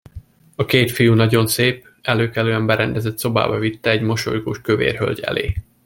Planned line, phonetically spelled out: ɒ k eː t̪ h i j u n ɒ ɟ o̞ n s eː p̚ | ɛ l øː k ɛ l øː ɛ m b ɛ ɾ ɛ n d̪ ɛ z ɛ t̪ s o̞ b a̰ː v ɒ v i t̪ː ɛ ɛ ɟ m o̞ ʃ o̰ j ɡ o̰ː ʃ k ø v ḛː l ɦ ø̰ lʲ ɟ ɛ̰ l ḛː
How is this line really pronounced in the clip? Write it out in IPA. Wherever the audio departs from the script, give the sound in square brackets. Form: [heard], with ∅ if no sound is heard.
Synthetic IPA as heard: ɒ k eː t̪ [f] i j u n ɒ ɟ o̞ n s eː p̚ | ɛ l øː k ɛ l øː ɛ m b ɛ ɾ ɛ n d̪ ɛ z ɛ t̪ s o̞ b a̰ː [b] ɒ v i t̪ː ɛ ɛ ɟ m o̞ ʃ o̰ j ɡ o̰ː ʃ k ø v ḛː [r] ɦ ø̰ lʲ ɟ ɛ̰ l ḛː